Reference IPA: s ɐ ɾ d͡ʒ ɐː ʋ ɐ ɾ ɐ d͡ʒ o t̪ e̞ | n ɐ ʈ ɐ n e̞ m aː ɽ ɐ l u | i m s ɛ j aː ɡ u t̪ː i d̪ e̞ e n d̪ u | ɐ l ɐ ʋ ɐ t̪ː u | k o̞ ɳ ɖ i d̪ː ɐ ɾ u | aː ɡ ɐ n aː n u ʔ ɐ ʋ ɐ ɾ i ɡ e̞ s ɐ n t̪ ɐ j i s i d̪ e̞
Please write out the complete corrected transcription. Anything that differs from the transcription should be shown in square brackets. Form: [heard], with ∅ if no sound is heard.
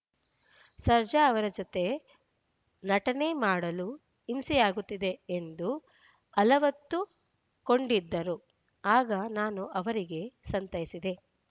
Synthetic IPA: s ɐ ɾ d͡ʒ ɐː ʋ ɐ ɾ ɐ d͡ʒ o t̪ e̞ | n ɐ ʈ ɐ n e̞ m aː ɽ ɐ l u | i m s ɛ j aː ɡ u t̪ː i d̪ e̞ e n d̪ u | ɐ l ɐ ʋ ɐ t̪ː u | k o̞ ɳ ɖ i d̪ː ɐ ɾ u | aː ɡ ɐ n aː n u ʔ ɐ ʋ ɐ ɾ i ɡ e̞ s ɐ n t̪ ɐ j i s i d̪ e̞

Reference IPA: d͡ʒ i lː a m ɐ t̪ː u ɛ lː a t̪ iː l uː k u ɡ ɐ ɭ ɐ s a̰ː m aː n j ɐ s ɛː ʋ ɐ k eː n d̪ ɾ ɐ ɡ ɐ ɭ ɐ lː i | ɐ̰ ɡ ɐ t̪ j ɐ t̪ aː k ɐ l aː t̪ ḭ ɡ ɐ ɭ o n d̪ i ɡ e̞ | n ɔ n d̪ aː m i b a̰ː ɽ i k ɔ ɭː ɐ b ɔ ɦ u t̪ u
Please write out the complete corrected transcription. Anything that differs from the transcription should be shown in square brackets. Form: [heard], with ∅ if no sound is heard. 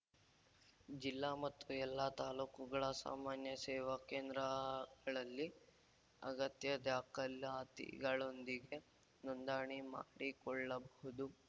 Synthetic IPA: d͡ʒ i lː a m ɐ t̪ː u ɛ lː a t̪ [aː] l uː k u ɡ ɐ ɭ ɐ s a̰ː m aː n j ɐ s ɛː ʋ ɐ k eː n d̪ ɾ ɐ ɡ ɐ ɭ ɐ lː i | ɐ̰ ɡ ɐ t̪ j ɐ [d̪] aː k ɐ l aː t̪ ḭ ɡ ɐ ɭ o n d̪ i ɡ e̞ | n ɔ n d̪ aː [ɳ] i [m] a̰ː ɽ i k ɔ ɭː ɐ b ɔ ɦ u [d̪] u

